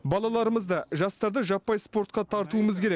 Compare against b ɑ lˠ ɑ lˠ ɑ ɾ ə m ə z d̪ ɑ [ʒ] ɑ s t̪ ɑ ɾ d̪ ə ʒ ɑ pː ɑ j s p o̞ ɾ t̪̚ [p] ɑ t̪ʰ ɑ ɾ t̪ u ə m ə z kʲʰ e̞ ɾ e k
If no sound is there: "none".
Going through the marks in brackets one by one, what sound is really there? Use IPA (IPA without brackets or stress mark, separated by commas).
ʒ, q